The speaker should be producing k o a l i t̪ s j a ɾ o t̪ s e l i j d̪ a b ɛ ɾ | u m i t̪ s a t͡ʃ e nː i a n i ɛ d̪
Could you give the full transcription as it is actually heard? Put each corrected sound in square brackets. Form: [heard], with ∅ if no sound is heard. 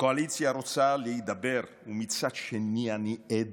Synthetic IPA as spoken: k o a l i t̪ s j a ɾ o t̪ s [a] l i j d̪ a b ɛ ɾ | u m i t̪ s a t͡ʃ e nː i a n i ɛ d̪